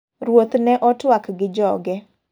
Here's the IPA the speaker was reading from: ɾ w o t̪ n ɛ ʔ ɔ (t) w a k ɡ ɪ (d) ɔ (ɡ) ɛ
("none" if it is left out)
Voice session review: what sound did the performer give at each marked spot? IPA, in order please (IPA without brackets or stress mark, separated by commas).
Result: t, d͡ʒ, ɡ